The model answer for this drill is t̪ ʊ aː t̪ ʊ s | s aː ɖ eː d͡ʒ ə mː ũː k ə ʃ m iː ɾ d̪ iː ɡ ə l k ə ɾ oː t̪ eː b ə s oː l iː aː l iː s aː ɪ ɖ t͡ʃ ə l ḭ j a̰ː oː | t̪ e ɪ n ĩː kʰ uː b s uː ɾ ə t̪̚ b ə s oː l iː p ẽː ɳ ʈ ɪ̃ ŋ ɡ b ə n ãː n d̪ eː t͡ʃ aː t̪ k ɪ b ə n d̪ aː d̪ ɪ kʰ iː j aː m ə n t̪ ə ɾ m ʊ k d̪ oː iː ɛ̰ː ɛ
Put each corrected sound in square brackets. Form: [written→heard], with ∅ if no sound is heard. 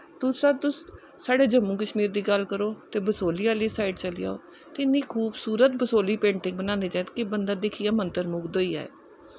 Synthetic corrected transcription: t̪ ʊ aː t̪ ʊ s | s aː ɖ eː d͡ʒ ə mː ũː k ə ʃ m iː ɾ d̪ iː ɡ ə l k ə ɾ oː t̪ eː b ə s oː l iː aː l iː s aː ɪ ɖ t͡ʃ ə l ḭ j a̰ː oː | t̪ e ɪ n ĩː kʰ uː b s uː ɾ ə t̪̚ b ə s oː l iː p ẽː ɳ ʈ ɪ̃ ŋ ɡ b ə n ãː n d̪ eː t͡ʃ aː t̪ k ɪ b ə n d̪ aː d̪ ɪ kʰ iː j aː m ə n t̪ ə ɾ m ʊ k d̪ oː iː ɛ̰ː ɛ